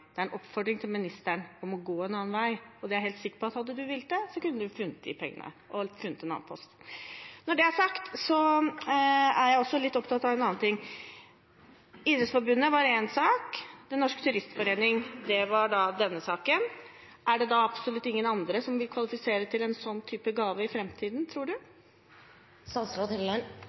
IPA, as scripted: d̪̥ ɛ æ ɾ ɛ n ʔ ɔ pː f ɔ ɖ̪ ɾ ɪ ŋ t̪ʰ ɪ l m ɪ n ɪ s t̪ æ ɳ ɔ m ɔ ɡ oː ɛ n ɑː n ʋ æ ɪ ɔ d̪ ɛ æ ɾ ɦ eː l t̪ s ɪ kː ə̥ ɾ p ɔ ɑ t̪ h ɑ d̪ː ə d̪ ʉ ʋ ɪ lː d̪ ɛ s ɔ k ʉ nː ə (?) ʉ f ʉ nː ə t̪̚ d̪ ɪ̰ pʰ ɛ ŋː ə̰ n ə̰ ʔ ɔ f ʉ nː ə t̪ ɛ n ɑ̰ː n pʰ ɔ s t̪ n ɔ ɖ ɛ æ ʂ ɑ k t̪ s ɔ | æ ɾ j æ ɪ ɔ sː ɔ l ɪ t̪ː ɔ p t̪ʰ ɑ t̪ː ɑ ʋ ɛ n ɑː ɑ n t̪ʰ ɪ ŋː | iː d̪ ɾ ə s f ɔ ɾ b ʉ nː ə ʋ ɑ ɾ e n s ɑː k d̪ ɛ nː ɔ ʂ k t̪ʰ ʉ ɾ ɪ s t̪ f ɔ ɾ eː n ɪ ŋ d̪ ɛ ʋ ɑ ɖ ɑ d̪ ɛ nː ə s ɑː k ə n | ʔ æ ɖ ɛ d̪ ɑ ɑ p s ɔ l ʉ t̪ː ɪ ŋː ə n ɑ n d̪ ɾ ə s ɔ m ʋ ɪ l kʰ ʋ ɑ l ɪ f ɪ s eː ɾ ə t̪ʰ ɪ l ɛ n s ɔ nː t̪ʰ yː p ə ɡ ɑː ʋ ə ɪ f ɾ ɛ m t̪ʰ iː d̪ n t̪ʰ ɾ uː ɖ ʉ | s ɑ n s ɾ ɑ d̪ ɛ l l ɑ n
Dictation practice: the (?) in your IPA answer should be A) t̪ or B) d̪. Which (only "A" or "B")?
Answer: B